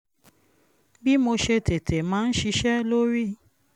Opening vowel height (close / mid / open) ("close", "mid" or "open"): close